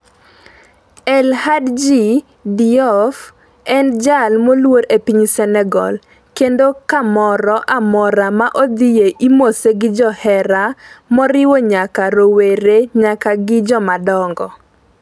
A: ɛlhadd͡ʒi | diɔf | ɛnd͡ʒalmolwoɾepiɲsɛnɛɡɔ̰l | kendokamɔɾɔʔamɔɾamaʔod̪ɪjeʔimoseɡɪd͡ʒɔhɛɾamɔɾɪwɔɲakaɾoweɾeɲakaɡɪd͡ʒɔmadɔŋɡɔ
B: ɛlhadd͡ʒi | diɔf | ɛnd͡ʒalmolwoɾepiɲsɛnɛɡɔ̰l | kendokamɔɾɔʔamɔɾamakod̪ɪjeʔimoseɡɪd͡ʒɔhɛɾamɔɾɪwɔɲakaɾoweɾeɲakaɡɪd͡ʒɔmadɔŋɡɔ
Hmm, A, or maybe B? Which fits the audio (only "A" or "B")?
A